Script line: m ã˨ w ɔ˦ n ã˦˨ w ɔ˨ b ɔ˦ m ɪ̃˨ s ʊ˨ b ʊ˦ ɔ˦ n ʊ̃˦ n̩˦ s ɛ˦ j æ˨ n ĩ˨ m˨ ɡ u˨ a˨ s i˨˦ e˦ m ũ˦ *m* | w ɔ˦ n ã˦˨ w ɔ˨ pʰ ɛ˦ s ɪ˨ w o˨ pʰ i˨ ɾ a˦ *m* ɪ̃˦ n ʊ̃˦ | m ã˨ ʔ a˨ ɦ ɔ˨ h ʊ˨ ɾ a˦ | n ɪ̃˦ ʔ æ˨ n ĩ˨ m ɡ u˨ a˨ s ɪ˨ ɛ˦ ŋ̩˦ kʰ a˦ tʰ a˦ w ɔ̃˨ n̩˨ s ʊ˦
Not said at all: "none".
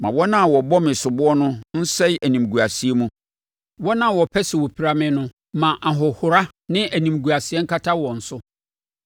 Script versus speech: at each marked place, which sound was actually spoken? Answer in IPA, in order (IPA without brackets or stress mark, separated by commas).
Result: none, m